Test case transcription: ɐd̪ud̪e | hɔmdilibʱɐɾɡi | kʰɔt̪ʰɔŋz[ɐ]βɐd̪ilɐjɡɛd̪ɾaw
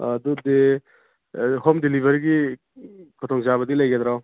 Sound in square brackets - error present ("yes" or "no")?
yes